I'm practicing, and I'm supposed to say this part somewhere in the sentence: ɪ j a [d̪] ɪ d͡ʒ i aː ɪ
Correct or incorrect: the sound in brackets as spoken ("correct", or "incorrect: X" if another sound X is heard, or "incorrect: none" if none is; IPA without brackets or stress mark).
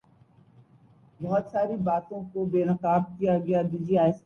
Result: correct